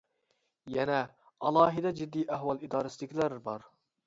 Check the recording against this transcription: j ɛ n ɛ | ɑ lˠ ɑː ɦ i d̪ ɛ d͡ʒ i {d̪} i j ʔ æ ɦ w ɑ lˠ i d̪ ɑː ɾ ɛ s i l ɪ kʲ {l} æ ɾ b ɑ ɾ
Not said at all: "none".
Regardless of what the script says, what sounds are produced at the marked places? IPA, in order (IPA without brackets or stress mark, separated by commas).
d̪ː, l